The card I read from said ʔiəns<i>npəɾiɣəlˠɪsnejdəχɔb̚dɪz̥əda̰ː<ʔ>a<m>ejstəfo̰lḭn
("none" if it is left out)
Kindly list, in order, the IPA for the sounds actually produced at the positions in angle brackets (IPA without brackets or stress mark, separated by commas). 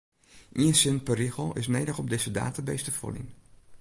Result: ɪ, t, b